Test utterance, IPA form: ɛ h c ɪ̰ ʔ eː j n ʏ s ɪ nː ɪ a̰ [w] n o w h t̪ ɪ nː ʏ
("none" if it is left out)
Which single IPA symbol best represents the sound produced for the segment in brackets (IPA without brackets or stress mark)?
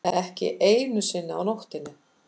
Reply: w